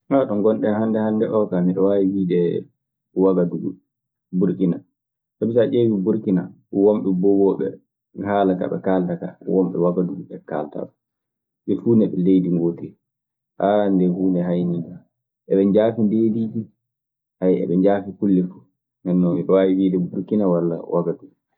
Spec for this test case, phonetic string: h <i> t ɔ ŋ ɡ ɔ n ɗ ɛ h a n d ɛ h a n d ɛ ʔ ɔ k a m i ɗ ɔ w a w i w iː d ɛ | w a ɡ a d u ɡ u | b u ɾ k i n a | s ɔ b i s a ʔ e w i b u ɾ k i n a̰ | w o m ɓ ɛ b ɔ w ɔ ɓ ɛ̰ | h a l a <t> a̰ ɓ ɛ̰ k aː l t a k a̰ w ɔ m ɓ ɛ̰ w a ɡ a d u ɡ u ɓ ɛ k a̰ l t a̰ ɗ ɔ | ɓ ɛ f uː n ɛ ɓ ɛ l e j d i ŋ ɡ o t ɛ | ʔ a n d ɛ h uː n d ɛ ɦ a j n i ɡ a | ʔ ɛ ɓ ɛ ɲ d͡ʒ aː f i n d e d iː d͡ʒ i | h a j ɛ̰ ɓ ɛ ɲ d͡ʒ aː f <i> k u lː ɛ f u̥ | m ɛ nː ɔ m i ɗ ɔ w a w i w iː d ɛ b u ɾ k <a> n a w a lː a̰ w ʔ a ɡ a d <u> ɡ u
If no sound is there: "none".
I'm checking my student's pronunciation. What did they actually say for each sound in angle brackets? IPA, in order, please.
a, k, i, i, u

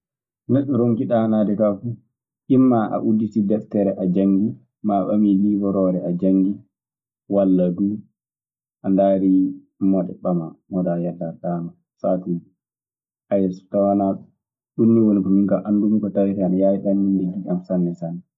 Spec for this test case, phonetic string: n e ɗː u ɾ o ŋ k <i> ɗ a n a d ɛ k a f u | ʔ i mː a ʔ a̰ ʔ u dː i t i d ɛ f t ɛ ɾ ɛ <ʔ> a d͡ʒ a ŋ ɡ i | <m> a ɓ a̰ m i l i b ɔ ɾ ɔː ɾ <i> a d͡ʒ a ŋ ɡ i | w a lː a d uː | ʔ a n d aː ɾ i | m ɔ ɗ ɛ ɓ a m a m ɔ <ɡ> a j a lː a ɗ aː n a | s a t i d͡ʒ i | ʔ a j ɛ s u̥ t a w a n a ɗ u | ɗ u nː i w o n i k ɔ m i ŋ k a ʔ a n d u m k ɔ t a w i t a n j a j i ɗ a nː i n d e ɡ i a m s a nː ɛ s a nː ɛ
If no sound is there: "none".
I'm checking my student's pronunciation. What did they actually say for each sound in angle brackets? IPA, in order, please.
i, ʔ, m, ɛ, d

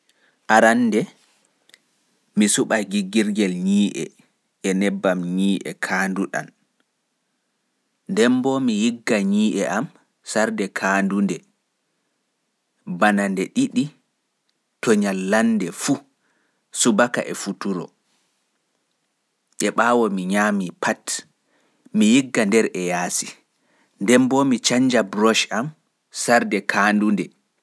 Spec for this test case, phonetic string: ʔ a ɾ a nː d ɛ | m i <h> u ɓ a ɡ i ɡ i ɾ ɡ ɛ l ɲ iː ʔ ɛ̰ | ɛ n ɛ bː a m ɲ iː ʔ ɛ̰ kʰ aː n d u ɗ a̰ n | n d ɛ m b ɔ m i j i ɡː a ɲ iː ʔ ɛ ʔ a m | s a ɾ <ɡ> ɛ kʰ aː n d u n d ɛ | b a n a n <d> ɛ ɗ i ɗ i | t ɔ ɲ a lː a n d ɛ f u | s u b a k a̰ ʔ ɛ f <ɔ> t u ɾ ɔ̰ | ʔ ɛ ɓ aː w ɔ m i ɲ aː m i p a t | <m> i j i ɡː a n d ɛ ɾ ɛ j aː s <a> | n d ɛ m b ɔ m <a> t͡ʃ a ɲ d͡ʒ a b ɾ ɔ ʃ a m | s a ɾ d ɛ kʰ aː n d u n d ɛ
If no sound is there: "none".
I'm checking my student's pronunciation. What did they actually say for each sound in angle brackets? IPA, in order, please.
s, d, d, u, m, i, i

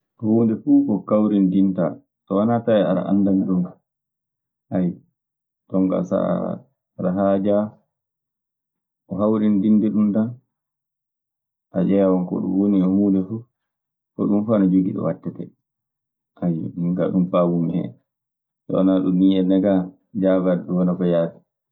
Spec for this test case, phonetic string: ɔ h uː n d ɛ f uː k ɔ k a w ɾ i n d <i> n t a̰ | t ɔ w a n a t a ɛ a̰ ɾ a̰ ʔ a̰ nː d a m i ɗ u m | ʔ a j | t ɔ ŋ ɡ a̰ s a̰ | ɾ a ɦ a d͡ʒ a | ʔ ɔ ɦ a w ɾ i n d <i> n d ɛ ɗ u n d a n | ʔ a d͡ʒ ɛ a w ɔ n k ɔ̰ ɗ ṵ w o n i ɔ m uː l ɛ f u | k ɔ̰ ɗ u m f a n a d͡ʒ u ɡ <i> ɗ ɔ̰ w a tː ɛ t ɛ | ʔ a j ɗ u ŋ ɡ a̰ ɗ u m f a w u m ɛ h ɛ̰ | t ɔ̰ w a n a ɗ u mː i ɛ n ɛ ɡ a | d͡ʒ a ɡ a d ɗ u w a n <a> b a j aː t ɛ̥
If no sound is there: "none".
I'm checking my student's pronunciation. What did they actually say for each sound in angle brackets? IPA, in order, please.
i, i, i, a

